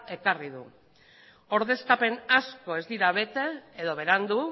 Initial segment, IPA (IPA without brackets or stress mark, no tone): e̞